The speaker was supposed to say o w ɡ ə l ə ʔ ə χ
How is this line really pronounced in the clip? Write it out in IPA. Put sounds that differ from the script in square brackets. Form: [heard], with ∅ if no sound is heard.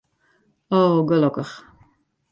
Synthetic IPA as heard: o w ɡ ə l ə [k] ə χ